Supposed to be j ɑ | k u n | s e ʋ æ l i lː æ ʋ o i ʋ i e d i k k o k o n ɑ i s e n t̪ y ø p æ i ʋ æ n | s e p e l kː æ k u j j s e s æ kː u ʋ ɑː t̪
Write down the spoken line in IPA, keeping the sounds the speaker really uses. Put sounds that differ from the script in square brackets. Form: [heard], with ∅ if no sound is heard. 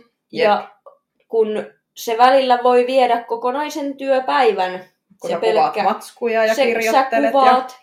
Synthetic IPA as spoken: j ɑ | k u n | s e ʋ æ l i lː æ ʋ o i ʋ i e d [æ] k k o k o n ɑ i s e n t̪ y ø p æ i ʋ æ n | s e p e l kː æ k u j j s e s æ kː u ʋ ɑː t̪